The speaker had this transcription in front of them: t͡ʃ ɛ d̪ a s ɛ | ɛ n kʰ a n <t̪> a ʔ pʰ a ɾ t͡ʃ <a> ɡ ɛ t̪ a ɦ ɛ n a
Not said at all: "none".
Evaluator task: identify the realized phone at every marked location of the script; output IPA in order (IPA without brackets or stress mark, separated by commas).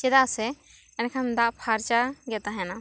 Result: d̪, a